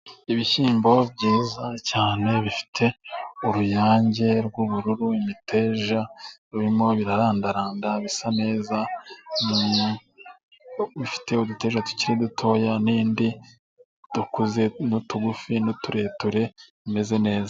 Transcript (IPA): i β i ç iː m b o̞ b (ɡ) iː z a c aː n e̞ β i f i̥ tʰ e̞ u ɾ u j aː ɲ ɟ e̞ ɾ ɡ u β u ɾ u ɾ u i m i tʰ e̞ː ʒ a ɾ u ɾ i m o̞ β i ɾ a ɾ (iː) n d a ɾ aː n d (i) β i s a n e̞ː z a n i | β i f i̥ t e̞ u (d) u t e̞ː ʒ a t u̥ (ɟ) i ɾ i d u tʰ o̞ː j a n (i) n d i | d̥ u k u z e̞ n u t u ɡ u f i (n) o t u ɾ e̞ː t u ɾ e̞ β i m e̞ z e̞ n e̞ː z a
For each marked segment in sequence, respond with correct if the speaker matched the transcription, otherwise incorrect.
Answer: incorrect: ɟ, incorrect: aː, incorrect: a, correct, incorrect: c, incorrect: iː, correct

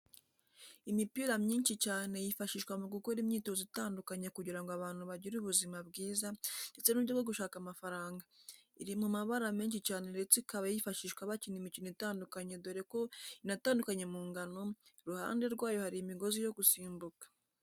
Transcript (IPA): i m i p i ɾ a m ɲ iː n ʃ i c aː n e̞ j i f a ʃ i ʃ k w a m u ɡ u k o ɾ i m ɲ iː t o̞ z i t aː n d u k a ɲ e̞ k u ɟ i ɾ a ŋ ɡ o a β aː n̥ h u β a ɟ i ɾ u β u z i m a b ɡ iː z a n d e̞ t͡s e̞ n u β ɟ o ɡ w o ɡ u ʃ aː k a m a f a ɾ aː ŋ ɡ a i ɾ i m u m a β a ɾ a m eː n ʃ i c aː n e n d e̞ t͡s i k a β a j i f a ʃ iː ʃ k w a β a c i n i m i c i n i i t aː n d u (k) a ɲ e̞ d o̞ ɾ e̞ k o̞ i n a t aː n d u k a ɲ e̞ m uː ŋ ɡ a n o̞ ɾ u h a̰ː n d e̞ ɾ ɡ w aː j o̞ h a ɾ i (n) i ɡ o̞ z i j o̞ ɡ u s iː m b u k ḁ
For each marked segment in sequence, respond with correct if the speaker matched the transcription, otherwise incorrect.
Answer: correct, incorrect: m

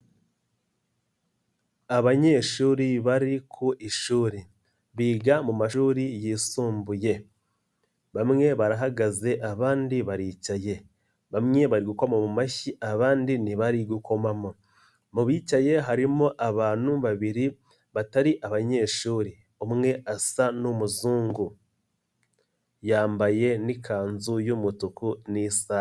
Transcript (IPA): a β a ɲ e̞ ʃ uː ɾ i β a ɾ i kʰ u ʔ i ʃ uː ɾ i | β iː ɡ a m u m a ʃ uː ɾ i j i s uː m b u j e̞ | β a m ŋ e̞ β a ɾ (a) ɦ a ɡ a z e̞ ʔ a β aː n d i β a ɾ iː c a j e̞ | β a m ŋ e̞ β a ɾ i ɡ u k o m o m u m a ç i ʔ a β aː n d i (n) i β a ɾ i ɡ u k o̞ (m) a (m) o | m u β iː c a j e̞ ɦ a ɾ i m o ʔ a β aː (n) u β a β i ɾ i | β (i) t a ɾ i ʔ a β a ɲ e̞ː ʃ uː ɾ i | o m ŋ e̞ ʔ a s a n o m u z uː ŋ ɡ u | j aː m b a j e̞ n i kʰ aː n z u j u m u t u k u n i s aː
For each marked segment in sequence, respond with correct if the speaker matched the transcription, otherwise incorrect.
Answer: correct, correct, correct, correct, correct, incorrect: a

